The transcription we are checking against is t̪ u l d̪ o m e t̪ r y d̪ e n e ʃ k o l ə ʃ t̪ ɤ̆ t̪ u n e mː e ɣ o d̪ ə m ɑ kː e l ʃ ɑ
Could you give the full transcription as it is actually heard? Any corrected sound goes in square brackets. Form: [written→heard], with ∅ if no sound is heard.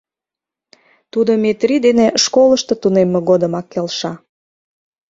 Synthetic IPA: t̪ u [l→∅] d̪ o m e t̪ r [y→i] d̪ e n e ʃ k o l ə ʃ t̪ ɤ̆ t̪ u n e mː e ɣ o d̪ ə m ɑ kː e l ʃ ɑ